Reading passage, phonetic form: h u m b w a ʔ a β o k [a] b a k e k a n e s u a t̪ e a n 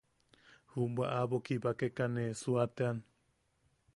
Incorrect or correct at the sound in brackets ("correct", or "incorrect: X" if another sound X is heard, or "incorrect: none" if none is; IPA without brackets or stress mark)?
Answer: incorrect: i